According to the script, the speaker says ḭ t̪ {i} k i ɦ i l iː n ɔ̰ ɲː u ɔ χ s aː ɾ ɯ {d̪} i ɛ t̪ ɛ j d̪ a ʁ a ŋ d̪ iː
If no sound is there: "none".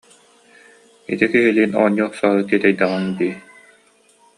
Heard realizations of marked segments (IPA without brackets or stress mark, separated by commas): i, t̪